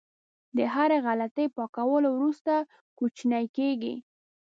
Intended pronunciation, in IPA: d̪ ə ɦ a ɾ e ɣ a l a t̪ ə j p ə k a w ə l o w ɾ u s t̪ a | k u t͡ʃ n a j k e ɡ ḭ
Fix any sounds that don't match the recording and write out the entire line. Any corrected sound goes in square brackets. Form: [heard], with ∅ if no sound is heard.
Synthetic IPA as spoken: d̪ ə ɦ a ɾ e ɣ a l a t̪ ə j p [ɑ] k a w ə l o w ɾ u s t̪ a | k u t͡ʃ n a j k e ɡ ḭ